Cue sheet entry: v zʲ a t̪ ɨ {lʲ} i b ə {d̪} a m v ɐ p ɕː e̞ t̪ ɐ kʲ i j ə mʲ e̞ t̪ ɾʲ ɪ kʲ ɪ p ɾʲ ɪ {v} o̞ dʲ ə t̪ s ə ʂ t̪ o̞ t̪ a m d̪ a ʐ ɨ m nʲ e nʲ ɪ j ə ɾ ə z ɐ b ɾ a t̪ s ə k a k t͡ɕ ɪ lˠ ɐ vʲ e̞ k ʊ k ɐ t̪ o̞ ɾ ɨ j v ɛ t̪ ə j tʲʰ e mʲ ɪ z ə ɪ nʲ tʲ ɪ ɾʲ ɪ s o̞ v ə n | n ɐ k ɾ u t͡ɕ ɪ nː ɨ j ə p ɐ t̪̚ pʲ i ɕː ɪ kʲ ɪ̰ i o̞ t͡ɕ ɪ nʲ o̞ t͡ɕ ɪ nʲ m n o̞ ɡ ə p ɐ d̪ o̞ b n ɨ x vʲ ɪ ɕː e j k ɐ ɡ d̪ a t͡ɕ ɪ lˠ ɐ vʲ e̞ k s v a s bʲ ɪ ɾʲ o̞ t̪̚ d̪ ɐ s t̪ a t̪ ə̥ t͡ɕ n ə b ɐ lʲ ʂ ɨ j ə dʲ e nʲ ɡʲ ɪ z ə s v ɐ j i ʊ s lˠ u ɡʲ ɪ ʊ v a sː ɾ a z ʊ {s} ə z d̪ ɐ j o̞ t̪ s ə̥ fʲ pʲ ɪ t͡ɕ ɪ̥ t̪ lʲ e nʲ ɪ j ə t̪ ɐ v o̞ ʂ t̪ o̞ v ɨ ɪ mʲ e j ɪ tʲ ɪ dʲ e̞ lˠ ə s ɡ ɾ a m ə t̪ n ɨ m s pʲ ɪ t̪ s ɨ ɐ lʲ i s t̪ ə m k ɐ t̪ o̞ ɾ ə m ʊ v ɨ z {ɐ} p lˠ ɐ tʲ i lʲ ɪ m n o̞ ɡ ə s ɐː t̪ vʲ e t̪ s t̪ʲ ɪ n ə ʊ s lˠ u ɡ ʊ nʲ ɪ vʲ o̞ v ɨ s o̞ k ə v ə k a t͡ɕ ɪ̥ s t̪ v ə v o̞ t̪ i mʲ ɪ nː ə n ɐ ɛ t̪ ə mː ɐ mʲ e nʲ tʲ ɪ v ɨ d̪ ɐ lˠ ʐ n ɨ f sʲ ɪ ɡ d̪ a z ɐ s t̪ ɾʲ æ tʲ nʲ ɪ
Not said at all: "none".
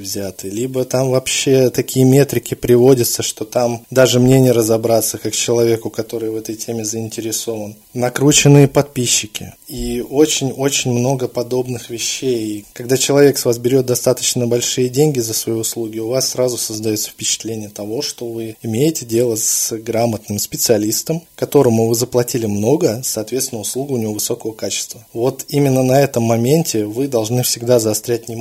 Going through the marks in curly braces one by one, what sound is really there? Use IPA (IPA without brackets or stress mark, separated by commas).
lʲ, t̪, v, s, ə